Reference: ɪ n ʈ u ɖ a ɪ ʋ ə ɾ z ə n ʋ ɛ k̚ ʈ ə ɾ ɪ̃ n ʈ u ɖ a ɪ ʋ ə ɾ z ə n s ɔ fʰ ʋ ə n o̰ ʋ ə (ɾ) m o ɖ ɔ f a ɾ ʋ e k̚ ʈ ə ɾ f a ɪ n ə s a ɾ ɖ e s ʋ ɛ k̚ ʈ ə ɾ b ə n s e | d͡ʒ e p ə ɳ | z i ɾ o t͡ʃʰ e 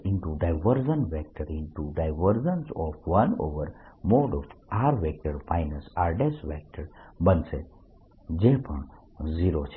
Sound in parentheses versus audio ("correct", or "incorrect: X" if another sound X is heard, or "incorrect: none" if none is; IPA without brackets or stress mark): correct